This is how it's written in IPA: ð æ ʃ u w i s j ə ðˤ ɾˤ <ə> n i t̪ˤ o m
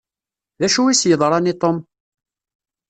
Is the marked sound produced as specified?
no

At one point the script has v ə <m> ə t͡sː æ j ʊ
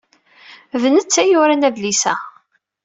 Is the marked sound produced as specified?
no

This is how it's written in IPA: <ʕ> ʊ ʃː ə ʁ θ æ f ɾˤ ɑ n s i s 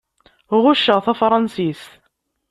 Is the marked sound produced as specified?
no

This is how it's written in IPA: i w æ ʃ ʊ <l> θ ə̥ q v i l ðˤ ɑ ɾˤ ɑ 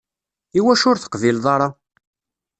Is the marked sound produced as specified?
no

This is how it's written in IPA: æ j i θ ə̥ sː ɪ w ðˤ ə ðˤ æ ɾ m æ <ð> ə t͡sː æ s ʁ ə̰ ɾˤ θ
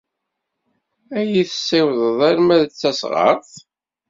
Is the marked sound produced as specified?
yes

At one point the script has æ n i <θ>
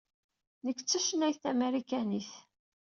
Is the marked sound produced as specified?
yes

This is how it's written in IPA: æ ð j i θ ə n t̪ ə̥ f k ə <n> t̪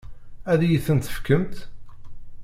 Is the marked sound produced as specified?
no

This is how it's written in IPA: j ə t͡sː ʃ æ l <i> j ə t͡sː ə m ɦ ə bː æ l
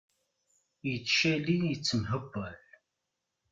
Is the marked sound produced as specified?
yes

